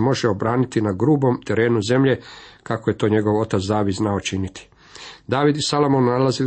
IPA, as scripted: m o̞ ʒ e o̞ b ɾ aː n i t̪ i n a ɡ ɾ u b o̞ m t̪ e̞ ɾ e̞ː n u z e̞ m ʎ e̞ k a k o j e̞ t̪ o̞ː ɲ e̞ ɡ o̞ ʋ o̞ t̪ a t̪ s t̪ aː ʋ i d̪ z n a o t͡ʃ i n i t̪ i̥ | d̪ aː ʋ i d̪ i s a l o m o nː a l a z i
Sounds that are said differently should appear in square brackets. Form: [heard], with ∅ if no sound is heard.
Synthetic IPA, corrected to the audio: m o̞ ʒ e o̞ b ɾ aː n i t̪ i n a ɡ ɾ [uː] b o̞ m t̪ e̞ ɾ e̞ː n u z e̞ m ʎ e̞ k a k o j e̞ t̪ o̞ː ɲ e̞ ɡ o̞ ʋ o̞ t̪ a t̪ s [d̪] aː ʋ i d̪ z n a o t͡ʃ i n i t̪ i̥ | d̪ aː ʋ i d̪ i s a l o m o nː a l a z i